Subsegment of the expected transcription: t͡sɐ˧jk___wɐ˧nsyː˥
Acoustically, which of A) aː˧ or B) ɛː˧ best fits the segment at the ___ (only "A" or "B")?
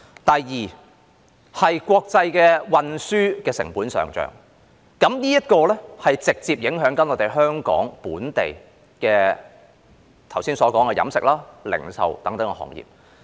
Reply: B